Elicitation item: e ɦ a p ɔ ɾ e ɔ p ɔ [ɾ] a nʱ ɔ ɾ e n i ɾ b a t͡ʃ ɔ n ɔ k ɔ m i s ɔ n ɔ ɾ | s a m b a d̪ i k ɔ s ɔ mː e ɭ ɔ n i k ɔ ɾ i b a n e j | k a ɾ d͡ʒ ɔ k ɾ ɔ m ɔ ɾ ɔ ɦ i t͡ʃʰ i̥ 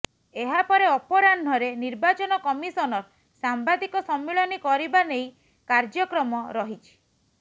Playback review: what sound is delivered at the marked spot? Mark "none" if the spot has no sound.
ɾ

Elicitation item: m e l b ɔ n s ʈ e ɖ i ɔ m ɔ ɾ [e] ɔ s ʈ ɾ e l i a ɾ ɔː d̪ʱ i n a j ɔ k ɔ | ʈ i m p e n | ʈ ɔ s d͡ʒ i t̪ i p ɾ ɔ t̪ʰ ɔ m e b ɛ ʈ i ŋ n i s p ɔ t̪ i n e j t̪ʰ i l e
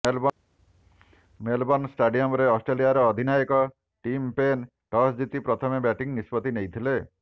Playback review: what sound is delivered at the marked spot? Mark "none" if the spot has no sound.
e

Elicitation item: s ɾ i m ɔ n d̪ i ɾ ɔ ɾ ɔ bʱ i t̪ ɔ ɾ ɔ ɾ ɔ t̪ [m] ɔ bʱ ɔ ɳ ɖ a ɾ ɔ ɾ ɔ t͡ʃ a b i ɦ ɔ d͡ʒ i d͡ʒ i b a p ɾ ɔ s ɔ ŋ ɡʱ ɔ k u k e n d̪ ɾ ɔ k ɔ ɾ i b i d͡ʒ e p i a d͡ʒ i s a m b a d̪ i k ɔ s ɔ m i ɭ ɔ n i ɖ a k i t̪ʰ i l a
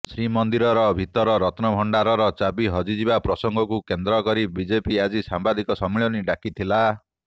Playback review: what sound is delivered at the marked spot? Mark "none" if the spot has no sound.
n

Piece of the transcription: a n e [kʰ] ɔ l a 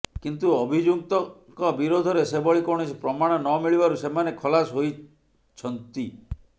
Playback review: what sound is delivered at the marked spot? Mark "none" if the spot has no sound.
kʰ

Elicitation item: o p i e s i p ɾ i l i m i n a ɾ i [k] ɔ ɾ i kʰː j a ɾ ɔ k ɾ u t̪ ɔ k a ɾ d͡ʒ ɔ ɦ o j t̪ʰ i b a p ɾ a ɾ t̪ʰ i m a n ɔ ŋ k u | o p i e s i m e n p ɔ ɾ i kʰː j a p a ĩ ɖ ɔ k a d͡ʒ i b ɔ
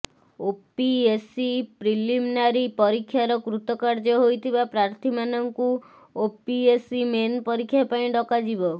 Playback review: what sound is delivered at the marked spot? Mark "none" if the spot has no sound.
p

